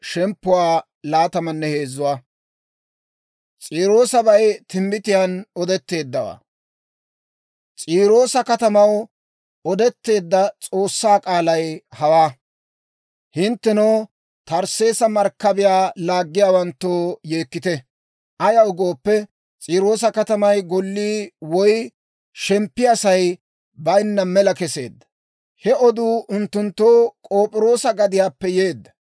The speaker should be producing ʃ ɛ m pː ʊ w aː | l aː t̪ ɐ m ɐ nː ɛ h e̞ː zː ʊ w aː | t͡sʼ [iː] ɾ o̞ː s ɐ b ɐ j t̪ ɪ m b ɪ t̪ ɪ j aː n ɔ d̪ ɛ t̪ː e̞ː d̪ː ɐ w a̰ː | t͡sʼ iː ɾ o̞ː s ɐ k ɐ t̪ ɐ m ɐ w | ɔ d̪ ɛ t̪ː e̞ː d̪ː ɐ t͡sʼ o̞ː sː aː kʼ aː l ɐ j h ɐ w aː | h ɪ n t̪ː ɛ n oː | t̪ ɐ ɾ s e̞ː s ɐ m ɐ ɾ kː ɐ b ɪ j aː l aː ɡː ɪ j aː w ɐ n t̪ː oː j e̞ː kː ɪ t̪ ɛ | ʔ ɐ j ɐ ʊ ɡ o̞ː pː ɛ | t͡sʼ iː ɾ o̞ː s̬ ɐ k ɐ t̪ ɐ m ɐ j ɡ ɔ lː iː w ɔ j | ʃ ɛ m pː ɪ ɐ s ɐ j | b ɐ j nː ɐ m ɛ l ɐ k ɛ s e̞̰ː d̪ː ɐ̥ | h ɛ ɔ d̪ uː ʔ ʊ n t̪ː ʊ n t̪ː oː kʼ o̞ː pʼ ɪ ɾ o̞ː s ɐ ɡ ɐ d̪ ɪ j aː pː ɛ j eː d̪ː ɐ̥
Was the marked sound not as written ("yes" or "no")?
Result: no